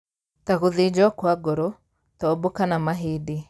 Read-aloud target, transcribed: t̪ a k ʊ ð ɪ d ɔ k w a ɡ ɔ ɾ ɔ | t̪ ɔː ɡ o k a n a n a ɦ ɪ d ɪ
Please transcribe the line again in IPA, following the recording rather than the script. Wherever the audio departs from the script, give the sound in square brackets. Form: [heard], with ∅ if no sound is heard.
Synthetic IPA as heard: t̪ a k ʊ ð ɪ [d͡ʒ] ɔ k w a ɡ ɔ ɾ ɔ | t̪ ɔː [b] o k a n a [m] a ɦ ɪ d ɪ